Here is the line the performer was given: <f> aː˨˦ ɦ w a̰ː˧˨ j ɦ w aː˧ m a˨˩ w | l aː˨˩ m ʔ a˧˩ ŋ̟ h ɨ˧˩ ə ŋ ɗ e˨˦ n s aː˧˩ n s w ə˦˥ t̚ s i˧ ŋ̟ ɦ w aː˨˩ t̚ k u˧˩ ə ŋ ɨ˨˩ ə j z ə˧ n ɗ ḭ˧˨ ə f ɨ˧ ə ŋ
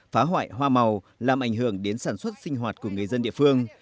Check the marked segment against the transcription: correct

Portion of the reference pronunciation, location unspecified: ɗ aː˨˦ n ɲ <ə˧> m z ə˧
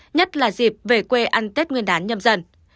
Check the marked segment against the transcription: correct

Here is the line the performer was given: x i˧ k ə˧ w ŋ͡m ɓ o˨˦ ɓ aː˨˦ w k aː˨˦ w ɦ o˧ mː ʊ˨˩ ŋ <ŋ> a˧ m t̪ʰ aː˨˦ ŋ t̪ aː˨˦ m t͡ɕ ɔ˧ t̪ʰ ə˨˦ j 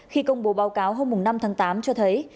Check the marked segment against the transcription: incorrect: n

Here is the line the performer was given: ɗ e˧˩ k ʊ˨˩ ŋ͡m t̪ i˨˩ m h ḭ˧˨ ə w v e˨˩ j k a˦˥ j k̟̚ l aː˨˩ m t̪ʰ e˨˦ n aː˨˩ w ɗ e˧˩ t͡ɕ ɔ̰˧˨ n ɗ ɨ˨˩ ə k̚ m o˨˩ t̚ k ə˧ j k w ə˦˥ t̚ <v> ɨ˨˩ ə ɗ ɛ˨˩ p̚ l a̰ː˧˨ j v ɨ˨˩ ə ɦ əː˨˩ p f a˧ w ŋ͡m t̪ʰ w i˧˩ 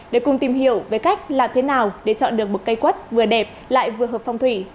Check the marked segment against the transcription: correct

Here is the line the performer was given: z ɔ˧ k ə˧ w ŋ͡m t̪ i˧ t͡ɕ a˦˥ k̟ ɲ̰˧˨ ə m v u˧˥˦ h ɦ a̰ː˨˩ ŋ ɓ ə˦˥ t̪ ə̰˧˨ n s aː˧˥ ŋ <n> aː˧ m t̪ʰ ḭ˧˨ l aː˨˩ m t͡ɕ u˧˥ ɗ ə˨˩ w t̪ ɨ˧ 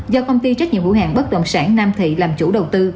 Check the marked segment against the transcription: correct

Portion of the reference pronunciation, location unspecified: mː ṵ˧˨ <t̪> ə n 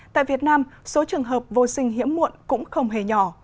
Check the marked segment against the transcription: incorrect: none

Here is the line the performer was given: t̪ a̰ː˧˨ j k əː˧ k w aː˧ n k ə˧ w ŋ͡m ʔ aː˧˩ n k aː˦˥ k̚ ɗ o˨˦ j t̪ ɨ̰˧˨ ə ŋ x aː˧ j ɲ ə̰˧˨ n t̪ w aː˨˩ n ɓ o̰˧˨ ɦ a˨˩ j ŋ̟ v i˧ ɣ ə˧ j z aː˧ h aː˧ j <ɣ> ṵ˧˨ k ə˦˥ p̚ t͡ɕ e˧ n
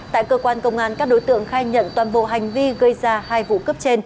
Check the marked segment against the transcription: incorrect: v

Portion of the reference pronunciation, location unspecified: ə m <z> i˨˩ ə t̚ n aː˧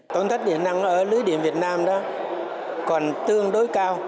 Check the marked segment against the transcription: incorrect: v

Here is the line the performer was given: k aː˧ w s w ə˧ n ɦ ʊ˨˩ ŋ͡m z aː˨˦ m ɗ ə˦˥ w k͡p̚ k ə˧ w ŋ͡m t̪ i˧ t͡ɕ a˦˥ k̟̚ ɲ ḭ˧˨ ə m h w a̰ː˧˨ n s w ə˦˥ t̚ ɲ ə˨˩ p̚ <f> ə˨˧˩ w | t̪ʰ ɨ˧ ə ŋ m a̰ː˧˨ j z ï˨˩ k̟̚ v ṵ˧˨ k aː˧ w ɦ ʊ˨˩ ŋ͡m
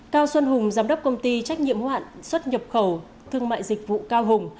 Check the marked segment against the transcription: incorrect: x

